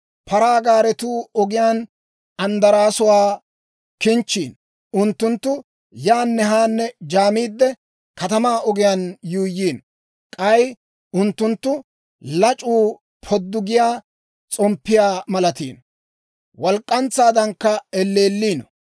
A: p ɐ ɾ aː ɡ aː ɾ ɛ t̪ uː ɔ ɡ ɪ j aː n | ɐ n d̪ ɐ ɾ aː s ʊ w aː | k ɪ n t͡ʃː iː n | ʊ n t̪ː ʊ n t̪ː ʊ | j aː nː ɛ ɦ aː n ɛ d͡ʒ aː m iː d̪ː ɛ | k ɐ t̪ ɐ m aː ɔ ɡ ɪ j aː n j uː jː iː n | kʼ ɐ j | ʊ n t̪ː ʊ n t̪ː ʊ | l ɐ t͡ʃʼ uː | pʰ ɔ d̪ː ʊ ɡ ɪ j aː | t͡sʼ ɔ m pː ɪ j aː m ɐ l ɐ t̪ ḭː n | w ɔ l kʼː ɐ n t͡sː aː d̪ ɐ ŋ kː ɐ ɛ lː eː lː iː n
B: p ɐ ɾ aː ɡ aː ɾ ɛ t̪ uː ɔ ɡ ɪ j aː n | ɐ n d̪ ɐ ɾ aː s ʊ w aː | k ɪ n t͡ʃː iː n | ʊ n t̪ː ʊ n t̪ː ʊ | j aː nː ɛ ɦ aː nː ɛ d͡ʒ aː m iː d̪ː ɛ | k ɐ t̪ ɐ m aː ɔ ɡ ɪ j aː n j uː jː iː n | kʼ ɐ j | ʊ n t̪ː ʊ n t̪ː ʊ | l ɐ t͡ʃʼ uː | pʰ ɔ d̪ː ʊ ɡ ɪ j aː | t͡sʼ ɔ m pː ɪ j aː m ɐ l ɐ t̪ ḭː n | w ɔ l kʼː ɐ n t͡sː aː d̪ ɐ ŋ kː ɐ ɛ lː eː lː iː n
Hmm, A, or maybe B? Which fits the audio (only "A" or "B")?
B